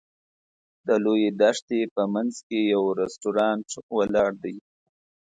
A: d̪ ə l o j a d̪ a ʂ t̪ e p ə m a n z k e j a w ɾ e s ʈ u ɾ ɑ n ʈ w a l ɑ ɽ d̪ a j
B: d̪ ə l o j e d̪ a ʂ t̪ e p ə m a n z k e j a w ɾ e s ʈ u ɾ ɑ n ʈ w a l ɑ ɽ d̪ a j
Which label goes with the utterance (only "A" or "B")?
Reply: B